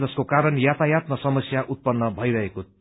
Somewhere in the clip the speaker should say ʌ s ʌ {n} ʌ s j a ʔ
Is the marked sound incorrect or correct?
incorrect